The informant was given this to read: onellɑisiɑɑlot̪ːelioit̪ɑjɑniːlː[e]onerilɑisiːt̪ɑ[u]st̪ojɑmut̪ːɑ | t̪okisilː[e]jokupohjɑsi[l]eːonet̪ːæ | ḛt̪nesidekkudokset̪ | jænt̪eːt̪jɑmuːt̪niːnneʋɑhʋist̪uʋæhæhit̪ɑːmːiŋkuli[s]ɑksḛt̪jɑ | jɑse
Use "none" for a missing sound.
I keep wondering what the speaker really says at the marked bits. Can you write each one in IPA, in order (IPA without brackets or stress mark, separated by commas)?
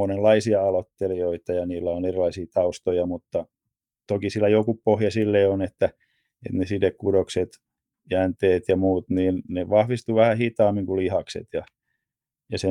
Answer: æ, u, æ, lː, h